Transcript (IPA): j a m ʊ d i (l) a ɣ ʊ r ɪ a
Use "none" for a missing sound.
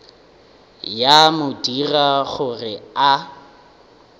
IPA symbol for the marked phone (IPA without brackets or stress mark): r